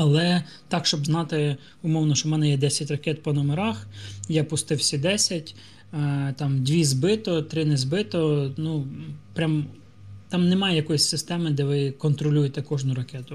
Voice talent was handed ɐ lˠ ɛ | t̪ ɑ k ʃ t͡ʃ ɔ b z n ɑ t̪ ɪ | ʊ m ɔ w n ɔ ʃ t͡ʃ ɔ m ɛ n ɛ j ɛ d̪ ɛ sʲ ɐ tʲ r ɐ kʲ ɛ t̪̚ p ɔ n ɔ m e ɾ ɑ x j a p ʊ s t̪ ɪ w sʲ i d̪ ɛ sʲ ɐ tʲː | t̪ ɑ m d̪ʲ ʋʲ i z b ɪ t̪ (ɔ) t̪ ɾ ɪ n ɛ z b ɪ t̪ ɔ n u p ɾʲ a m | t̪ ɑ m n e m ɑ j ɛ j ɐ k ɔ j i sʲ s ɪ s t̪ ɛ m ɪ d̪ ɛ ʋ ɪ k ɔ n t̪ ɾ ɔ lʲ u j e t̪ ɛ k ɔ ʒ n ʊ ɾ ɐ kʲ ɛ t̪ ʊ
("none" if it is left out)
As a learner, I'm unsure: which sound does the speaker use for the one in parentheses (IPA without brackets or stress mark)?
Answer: ɔ